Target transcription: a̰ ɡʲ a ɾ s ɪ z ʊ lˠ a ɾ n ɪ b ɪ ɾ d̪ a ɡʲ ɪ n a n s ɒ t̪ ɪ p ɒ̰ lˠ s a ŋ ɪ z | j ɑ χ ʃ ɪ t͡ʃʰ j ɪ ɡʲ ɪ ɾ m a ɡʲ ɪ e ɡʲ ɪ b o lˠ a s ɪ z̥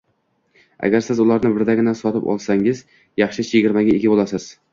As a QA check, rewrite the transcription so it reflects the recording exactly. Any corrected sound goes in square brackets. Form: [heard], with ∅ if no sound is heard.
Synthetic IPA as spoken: a̰ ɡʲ a ɾ s ɪ z ʊ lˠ a ɾ n ɪ b ɪ ɾ d̪ a ɡʲ ɪ n a n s ɒ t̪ ɪ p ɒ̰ lˠ s a ŋ ɪ z | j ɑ χ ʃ ɪ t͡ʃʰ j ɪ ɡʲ ɪ ɾ m a ɡʲ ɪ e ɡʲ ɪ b o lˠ a s ɪ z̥